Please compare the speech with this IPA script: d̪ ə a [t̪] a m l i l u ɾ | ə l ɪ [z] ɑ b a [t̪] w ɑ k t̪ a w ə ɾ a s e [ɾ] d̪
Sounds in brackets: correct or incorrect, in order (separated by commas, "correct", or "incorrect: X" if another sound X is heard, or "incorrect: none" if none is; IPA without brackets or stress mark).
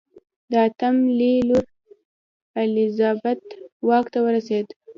correct, correct, correct, incorrect: none